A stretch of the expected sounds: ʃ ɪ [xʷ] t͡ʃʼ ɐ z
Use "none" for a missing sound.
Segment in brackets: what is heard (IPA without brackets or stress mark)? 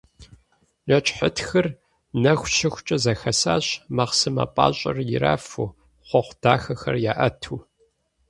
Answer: xʷ